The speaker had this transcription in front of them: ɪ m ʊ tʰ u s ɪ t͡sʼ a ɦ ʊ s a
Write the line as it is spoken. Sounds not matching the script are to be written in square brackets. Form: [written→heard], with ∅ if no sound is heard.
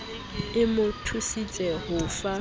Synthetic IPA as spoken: ɪ m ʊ tʰ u s [ɪ→i] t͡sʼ [a→ɛ] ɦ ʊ [s→f] a